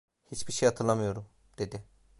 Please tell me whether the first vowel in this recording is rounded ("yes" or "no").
no